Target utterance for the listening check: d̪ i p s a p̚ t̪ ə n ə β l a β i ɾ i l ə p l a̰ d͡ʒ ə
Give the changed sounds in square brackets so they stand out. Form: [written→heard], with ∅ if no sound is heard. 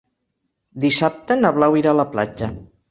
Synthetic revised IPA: d̪ i [p→∅] s a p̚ t̪ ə n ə β l a [β→w] i ɾ [i→a] l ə p l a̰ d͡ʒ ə